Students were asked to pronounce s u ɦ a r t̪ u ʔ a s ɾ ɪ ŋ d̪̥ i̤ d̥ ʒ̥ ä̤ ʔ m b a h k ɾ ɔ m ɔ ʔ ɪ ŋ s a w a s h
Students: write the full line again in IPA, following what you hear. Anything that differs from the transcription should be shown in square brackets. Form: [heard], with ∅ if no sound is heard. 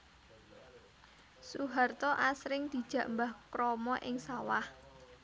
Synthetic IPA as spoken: s u ɦ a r t̪ [ɔ] ʔ a s ɾ ɪ ŋ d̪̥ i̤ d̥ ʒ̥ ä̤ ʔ m b a h k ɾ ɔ m ɔ ʔ ɪ ŋ s a w a [∅] h